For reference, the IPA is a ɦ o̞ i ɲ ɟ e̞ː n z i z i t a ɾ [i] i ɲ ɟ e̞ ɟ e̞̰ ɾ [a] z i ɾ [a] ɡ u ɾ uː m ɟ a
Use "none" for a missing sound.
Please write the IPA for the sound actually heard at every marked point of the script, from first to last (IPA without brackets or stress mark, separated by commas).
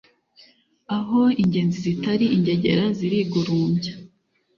i, a, i